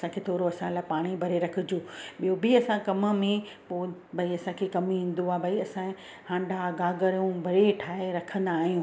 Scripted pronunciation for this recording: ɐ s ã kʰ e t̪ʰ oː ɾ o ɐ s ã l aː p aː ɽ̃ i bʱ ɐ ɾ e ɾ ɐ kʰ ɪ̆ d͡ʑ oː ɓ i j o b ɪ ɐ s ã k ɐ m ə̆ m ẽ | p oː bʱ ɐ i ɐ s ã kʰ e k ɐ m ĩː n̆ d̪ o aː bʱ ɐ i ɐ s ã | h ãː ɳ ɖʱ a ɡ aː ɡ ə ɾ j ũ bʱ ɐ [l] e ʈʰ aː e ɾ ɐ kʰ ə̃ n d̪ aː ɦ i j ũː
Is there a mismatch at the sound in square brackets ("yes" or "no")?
yes